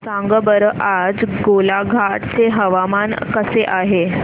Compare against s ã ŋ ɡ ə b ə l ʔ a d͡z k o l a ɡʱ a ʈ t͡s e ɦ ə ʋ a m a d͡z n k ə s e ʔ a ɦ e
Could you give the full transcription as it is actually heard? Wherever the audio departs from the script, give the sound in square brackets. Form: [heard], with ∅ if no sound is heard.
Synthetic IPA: s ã ŋ ɡ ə b ə [ɾ] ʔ a d͡z [ɡ] o l a ɡʱ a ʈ t͡s e ɦ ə ʋ a m a [∅] n k ə s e ʔ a ɦ e